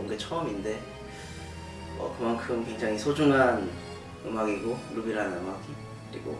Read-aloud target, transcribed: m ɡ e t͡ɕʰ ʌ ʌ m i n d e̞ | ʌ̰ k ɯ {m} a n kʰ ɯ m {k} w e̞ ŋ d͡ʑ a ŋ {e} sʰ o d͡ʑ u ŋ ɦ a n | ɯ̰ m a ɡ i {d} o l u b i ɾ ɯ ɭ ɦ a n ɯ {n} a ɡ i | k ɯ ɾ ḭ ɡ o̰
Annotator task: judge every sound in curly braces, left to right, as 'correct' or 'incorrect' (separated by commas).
correct, correct, incorrect, incorrect, incorrect